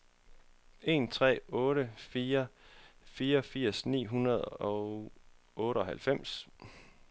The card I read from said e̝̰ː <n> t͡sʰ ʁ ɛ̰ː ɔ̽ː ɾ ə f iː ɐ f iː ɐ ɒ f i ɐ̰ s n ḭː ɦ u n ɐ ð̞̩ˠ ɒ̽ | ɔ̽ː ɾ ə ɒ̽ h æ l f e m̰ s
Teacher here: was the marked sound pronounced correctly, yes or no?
yes